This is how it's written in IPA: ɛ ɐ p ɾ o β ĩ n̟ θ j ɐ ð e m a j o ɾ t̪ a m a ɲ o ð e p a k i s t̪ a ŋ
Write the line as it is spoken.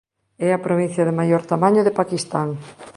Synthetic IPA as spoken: ɛ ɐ p ɾ o β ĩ n̟ θ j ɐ ð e m a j o ɾ t̪ a m a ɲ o ð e p a k i s t̪ a ŋ